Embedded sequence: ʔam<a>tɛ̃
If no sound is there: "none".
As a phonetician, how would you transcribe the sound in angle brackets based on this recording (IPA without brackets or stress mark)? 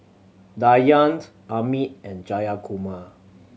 i